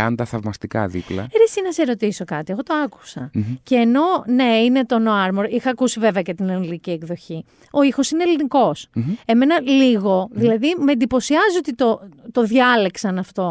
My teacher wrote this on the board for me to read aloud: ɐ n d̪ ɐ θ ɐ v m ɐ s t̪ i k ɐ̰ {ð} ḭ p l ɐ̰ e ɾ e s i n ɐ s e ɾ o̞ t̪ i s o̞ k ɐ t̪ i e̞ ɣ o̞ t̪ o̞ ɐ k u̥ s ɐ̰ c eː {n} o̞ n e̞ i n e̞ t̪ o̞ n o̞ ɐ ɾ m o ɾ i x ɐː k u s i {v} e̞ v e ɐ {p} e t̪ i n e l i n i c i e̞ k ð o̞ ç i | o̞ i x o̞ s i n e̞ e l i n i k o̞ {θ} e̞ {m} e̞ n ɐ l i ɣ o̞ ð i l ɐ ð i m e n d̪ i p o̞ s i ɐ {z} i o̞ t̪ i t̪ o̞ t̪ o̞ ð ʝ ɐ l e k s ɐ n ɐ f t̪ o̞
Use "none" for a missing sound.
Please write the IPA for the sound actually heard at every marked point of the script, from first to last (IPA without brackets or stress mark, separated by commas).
ð, n, v, c, s, m, z